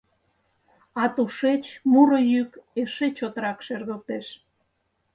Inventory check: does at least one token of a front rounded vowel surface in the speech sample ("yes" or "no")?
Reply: yes